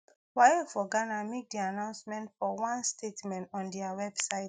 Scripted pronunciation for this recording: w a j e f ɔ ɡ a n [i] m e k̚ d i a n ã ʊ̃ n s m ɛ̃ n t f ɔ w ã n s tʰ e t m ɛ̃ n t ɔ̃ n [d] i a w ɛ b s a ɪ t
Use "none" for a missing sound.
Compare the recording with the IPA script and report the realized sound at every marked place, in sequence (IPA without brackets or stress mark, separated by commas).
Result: a, d